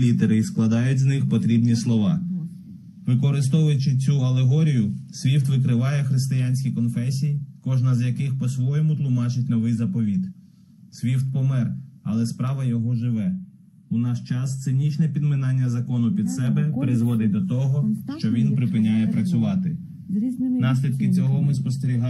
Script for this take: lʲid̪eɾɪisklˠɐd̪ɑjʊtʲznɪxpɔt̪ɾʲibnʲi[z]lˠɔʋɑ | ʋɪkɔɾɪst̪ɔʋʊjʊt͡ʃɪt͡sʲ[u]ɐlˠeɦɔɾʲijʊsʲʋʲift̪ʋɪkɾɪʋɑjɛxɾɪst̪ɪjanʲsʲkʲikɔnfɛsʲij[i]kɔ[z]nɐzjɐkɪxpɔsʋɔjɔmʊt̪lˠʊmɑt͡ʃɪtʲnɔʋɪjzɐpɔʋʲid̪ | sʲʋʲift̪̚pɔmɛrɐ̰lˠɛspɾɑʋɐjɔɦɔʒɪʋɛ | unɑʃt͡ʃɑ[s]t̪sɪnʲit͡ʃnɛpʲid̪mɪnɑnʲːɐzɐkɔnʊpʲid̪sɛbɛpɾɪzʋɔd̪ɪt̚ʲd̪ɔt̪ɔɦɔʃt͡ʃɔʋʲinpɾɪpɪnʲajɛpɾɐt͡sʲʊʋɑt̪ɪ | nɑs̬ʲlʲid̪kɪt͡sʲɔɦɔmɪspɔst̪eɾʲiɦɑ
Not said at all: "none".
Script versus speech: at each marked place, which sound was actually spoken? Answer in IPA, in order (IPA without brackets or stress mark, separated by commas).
s, u, i, ʒ, s